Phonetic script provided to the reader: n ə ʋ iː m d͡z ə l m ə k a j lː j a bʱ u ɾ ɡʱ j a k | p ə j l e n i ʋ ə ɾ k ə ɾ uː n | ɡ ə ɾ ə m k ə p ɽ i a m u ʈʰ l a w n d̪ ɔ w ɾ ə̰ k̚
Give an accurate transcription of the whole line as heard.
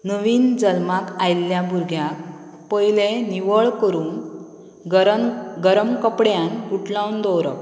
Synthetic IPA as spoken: n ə ʋ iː n d͡z ə l m a k a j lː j a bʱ u ɾ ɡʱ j a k | p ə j l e n i ʋ ə ɭ k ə ɾ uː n | ɡ ə ɾ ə m k ə p ɽ j a n u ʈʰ l a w n d̪ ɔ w ɾ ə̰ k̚

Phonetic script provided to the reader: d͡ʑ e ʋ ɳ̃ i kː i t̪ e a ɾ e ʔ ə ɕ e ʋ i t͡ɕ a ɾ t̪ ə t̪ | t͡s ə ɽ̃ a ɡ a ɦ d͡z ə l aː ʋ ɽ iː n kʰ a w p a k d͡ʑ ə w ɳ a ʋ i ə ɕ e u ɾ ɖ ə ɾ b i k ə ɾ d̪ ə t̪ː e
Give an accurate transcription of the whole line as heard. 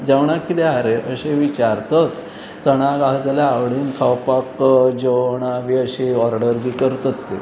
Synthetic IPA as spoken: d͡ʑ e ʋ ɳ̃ a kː i t̪ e a ɾ e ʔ ə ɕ e ʋ i t͡ɕ a ɾ t̪ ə t̪ | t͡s ə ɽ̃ a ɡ a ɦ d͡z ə l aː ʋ ɽ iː n kʰ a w p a k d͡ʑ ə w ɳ a ʋ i ə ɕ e ɔ ɾ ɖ ə ɾ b i k ə ɾ t̪ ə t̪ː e

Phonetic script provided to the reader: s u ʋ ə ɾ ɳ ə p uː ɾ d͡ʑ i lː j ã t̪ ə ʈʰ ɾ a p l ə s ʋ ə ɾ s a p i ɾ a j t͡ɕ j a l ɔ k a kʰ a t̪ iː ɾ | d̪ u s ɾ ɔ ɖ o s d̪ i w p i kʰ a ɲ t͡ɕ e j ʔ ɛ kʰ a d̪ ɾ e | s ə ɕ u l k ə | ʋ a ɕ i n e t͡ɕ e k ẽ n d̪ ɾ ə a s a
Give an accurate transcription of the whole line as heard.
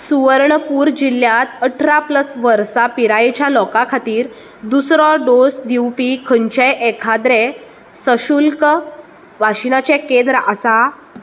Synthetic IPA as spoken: s u ʋ ə ɾ ɳ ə p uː ɾ d͡ʑ i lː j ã t̪ ə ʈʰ ɾ a p l ə s ʋ ə ɾ s a p i ɾ a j t͡ɕ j a l ɔ k a kʰ a t̪ iː ɾ | d̪ u s ɾ ɔ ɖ o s d̪ i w p i kʰ ə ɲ t͡ɕ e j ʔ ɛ kʰ a d̪ ɾ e | s ə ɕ u l k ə | ʋ a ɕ i n a t͡ɕ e k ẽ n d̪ ɾ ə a s a

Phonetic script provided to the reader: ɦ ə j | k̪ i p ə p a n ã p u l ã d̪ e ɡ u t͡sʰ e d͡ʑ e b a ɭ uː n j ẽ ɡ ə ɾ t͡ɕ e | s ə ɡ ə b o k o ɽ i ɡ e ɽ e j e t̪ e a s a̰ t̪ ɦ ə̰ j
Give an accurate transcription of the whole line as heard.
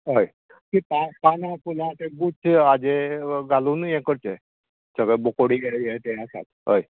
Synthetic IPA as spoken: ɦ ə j | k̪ i p a p a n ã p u l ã t̪ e ɡ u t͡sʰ a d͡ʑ e ɡ a l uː n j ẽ k ə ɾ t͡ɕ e | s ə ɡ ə b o k o ɽ i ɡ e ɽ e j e t̪ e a s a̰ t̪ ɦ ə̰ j

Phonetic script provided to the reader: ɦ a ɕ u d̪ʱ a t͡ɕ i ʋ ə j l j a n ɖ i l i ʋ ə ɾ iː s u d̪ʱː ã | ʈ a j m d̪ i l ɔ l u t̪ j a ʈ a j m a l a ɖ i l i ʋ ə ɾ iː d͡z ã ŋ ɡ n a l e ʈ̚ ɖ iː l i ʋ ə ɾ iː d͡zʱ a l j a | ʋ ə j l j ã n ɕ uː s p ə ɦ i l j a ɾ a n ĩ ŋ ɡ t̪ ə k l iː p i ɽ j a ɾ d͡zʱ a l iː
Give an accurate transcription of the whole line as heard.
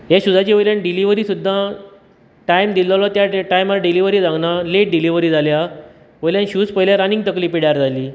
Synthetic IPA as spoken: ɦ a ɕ u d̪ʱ a t͡ɕ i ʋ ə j l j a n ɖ i l i ʋ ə ɾ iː s u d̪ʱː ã | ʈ a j m d̪ i l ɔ l ɔ t̪ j a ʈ a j m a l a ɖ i l i ʋ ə ɾ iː d͡z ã ŋ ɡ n a l e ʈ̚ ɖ i l i ʋ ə ɾ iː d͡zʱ a l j a | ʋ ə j l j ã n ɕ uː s p ə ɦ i l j a ɾ a n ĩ ŋ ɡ t̪ ə k l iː p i ɽ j a ɾ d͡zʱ a l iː

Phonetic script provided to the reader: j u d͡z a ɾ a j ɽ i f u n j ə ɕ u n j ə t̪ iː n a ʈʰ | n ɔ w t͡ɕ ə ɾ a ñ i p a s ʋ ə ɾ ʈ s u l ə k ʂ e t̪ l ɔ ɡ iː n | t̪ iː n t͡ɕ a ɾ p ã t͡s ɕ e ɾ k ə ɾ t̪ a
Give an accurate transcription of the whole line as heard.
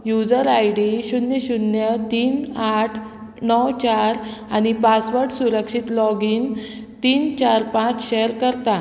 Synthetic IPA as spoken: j u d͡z ə ɾ a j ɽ i ɕ u n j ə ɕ u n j ə t̪ iː n a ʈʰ | n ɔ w t͡ɕ a ɾ a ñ i p a s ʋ ə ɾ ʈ s u ɾ ə k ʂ i t̪ l ɔ ɡ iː n | t̪ iː n t͡ɕ a ɾ p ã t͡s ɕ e ɾ k ə ɾ t̪ a

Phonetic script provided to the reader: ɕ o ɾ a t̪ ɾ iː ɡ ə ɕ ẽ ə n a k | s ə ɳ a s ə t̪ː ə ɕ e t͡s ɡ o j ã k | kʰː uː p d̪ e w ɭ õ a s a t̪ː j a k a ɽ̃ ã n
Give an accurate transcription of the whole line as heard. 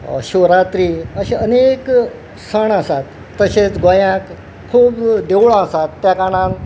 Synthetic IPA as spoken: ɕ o ɾ a t̪ ɾ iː ə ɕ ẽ ə n e k | s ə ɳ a s a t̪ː ə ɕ e t͡s ɡ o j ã k | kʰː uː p d̪ e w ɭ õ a s a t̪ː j a k a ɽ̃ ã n

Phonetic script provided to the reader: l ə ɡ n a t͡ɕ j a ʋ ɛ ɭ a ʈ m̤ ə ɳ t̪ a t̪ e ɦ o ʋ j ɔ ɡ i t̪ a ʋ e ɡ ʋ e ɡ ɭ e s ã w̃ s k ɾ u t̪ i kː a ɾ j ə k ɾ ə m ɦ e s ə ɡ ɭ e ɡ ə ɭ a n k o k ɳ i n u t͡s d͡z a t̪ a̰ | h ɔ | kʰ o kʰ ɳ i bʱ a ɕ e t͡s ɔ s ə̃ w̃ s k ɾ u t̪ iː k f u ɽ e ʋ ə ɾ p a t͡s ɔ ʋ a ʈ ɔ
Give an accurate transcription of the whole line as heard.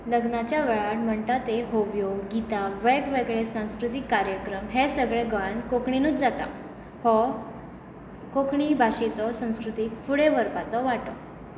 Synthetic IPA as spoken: l ə ɡ n a t͡ɕ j a ʋ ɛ ɭ a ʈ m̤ ə ɳ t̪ a t̪ e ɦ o ʋ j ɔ ɡ i t̪ a ʋ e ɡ ʋ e ɡ ɭ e s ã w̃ s k ɾ u t̪ i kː a ɾ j ə k ɾ ə m ɦ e s ə ɡ ɭ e ɡ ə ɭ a n k o k ɳ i n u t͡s d͡z a t̪ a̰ | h ɔ | k o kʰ ɳ i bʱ a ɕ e t͡s ɔ s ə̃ w̃ s k ɾ u t̪ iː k f u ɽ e ʋ ə ɾ p a t͡s ɔ ʋ a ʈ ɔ

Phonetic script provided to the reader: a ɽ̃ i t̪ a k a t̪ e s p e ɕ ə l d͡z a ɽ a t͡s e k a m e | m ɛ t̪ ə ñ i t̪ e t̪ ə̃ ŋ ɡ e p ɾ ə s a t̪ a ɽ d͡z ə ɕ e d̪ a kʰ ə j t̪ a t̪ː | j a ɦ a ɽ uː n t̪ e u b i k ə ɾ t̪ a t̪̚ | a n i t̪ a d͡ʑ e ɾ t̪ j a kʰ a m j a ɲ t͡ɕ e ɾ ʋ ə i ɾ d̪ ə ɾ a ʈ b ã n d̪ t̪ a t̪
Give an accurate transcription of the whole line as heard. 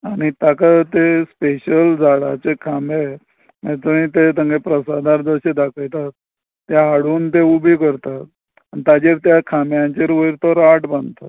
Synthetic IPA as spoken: a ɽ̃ i t̪ a k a t̪ e s p e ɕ ə l d͡z a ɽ a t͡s e kʰ a m e | m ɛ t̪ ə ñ i t̪ e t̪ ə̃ ŋ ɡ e p ɾ ə s a d̪ a ɾ d͡z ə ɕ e d̪ a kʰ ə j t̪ a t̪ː | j a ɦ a ɽ uː n t̪ e u b i k ə ɾ t̪ a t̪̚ | a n i t̪ a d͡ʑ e ɾ t̪ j a kʰ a m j a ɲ t͡ɕ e ɾ ʋ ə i ɾ t̪ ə ɾ a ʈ b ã n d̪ t̪ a t̪

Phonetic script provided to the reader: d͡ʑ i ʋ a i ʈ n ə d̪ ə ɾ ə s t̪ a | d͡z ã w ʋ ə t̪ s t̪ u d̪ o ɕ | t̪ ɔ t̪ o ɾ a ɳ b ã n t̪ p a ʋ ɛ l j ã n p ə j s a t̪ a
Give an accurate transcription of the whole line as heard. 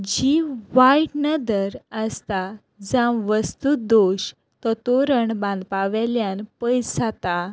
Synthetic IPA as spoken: d͡ʑ i ʋ a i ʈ n ə d̪ ə ɾ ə s t̪ a | d͡z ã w ʋ ə s t̪ u d̪ o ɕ | t̪ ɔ t̪ o ɾ ə ɳ b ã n d̪ p a ʋ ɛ l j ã n p ə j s a t̪ a

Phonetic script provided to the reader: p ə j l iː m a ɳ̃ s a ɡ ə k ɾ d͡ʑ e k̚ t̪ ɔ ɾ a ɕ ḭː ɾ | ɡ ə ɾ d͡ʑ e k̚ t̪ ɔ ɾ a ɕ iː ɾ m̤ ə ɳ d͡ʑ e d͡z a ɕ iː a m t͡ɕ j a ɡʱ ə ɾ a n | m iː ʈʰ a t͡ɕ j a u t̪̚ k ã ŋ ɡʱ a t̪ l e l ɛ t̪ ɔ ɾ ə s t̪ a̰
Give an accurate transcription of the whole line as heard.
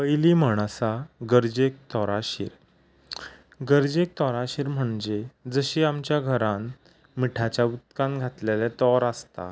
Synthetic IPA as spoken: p ə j l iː m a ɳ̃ s a ɡ ə ɾ d͡ʑ e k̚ t̪ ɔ ɾ a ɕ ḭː ɾ | ɡ ə ɾ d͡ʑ e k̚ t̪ ɔ ɾ a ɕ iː ɾ m̤ ə ɳ d͡ʑ e d͡z ə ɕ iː a m t͡ɕ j a ɡʱ ə ɾ a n | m i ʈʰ a t͡ɕ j a u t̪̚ k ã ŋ ɡʱ a t̪ l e l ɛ t̪ ɔ ɾ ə s t̪ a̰

